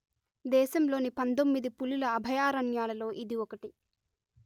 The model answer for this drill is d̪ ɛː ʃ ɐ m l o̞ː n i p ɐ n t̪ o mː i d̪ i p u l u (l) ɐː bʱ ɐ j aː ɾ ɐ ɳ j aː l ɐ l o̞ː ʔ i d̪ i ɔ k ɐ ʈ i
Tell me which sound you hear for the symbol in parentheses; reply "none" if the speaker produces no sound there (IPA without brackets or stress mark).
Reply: l